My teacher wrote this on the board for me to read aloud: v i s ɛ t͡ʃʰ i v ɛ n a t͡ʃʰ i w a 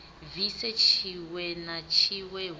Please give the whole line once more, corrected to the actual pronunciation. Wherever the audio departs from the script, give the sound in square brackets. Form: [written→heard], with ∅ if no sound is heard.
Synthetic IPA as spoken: v i s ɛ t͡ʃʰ i [v→w] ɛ n a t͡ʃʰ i w [a→ɛ]